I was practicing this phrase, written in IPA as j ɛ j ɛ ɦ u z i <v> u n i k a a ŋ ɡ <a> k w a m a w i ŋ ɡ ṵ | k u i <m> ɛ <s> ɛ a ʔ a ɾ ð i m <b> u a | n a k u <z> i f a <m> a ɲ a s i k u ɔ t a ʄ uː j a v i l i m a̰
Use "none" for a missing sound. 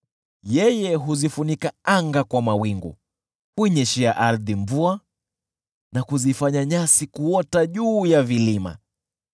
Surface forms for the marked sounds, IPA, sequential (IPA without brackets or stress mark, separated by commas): f, a, ɲ, ʃ, v, z, ɲ